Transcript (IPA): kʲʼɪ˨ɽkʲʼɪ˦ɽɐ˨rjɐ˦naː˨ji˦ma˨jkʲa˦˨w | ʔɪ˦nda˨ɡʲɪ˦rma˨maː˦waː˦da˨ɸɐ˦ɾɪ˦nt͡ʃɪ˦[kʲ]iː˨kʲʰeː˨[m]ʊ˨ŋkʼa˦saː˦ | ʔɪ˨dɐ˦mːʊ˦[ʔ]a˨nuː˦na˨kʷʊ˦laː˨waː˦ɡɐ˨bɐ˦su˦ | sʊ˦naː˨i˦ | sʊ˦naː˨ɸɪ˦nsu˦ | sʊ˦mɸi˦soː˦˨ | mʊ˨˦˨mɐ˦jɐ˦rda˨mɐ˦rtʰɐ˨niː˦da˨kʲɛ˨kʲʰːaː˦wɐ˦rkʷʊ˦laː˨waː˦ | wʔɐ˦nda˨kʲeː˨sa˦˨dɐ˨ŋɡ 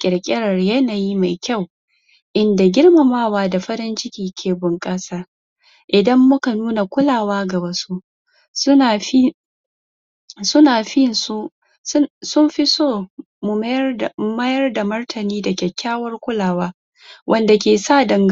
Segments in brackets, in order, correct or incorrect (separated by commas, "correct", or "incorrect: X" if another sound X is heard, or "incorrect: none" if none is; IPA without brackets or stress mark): correct, incorrect: b, incorrect: k